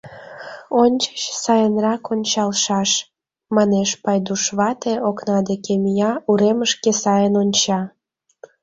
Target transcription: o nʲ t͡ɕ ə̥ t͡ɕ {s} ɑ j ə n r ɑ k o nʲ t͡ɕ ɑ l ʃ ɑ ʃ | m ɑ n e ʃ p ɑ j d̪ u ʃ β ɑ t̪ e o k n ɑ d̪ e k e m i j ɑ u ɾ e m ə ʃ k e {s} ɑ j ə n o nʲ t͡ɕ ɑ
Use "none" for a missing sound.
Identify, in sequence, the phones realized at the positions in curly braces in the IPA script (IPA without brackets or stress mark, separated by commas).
s, s